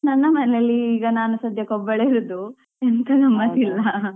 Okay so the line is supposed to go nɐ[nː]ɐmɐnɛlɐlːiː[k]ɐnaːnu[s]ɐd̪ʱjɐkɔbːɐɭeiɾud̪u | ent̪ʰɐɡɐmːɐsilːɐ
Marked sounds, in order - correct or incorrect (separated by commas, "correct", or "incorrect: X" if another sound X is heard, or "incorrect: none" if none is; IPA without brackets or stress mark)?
correct, incorrect: ɡ, correct